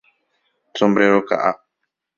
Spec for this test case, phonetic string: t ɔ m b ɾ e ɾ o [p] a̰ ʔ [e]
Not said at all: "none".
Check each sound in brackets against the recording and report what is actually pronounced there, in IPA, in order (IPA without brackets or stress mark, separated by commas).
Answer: k, a